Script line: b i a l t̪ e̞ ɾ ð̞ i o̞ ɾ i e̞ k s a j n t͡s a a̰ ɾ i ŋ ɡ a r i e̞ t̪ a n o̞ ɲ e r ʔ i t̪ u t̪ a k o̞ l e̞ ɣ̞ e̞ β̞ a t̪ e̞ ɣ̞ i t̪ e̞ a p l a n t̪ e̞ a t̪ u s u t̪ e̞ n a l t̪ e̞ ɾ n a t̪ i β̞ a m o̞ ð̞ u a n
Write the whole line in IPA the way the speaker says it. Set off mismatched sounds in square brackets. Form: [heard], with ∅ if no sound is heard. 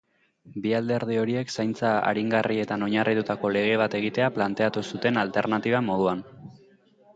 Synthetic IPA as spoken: b i a l [d̪] e̞ ɾ ð̞ i o̞ ɾ i e̞ k s a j n t͡s a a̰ ɾ i ŋ ɡ a r i e̞ t̪ a n o̞ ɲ [a] r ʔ i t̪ u t̪ a k o̞ l e̞ ɣ̞ e̞ β̞ a t̪ e̞ ɣ̞ i t̪ e̞ a p l a n t̪ e̞ a t̪ u s u t̪ e̞ n a l t̪ e̞ ɾ n a t̪ i β̞ a m o̞ ð̞ u a n

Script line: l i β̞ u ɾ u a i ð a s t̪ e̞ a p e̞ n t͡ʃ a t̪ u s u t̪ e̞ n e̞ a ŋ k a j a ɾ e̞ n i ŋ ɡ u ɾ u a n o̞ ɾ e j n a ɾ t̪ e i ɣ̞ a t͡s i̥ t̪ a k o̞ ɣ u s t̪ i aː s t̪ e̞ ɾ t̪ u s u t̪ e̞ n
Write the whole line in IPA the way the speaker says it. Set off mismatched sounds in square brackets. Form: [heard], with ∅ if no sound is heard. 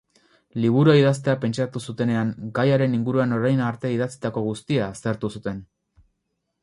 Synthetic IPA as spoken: l i β̞ u ɾ u a i ð a s t̪ e̞ a p e̞ n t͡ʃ a t̪ u s u t̪ e̞ n e̞ a ŋ [ɡ] a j a ɾ e̞ n i ŋ ɡ u ɾ u a n o̞ ɾ [a] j n a ɾ t̪ e i [ð̞] a t͡s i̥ t̪ a k o̞ ɣ u s t̪ i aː s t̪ e̞ ɾ t̪ u s u t̪ e̞ n

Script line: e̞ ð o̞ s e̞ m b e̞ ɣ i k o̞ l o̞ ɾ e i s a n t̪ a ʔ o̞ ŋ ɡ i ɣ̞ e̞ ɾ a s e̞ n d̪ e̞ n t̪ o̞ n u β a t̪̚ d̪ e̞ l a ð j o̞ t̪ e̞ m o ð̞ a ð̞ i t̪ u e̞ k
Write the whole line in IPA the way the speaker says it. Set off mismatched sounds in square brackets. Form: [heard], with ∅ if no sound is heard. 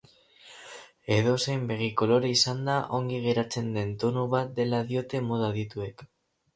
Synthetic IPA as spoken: e̞ ð o̞ s e̞ m b e̞ ɣ i k o̞ l o̞ ɾ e i s a n [d̪] a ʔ o̞ ŋ ɡ i ɣ̞ e̞ ɾ a [t͡s] e̞ n d̪ e̞ n t̪ o̞ n u β a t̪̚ d̪ e̞ l a ð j o̞ t̪ e̞ m o ð̞ a ð̞ i t̪ u e̞ k

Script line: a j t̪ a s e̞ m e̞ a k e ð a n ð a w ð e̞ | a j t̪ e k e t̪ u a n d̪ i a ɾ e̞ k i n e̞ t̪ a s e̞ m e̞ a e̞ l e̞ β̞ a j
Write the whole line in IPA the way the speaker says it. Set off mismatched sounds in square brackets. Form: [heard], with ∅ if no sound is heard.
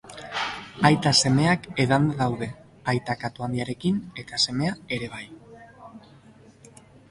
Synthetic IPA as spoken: a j t̪ a s e̞ m e̞ a k e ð a n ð a w ð e̞ | a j t̪ [a] k [a] t̪ u a n d̪ i a ɾ e̞ k i n e̞ t̪ a s e̞ m e̞ a e̞ [ɾ] e̞ β̞ a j

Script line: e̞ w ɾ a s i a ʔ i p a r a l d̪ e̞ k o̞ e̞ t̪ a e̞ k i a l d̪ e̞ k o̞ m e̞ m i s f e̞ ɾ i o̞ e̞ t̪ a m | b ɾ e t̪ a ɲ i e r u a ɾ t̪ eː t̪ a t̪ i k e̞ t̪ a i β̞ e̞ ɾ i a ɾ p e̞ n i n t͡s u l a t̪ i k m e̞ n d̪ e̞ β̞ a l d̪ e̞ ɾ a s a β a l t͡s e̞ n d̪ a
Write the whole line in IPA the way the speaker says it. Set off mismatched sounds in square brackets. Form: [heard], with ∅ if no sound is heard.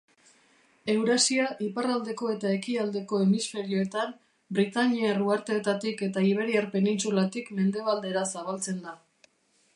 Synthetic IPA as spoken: e̞ w ɾ a s i a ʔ i p a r a l d̪ e̞ k o̞ e̞ t̪ a e̞ k i a l d̪ e̞ k o̞ [∅] e̞ m i s f e̞ ɾ i o̞ e̞ t̪ a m | b ɾ [i] t̪ a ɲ i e r u a ɾ t̪ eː t̪ a t̪ i k e̞ t̪ a i β̞ e̞ ɾ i a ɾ p e̞ n i n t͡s u l a t̪ i k m e̞ n d̪ e̞ β̞ a l d̪ e̞ ɾ a s a β a l t͡s e̞ n d̪ a

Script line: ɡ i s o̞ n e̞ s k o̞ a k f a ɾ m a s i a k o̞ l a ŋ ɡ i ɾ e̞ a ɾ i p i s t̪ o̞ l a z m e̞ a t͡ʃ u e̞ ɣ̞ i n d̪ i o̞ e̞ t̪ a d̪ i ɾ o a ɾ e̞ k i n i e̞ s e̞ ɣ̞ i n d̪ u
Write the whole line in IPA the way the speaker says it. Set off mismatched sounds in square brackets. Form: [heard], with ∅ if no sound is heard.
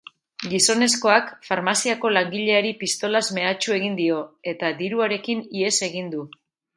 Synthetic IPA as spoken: ɡ i s o̞ n e̞ s k o̞ a k f a ɾ m a s i a k o̞ l a ŋ ɡ i [ʎ] e̞ a ɾ i p i s t̪ o̞ l a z m e̞ a t͡ʃ u e̞ ɣ̞ i n d̪ i o̞ e̞ t̪ a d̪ i ɾ [u] a ɾ e̞ k i n i e̞ s e̞ ɣ̞ i n d̪ u

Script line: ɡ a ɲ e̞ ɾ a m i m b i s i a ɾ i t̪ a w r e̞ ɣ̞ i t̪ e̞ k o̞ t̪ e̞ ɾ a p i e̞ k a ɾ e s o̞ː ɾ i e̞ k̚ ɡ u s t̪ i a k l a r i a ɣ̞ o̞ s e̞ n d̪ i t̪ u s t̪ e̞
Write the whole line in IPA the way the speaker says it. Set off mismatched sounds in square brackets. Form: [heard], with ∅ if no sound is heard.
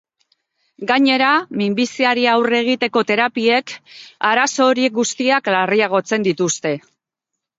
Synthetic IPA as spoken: ɡ a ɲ e̞ ɾ a m i m b i s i a ɾ i [∅] a w r e̞ ɣ̞ i t̪ e̞ k o̞ t̪ e̞ ɾ a p i e̞ k a ɾ [a] s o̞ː ɾ i e̞ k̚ ɡ u s t̪ i a k l a r i a ɣ̞ o̞ [t͡s] e̞ n d̪ i t̪ u s t̪ e̞

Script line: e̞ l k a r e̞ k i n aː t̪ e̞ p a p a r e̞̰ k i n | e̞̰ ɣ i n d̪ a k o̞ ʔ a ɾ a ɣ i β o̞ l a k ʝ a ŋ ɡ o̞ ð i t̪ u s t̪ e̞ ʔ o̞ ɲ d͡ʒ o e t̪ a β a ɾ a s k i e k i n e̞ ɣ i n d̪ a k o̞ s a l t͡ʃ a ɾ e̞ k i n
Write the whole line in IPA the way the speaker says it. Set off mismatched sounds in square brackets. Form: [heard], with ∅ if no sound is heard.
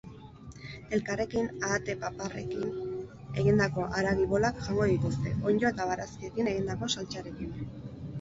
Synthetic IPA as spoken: e̞ l k a r e̞ k i n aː t̪ e̞ p a p a r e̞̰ k i n | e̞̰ ɣ i n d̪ a k o̞ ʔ a ɾ a ɣ i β o̞ l a k ʝ a ŋ ɡ o̞ ð i t̪ u s t̪ e̞ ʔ o̞ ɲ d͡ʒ o e t̪ a β a ɾ a s k i e k i n e̞ ɣ i n d̪ a k o̞ s a l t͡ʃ a ɾ e̞ k i n

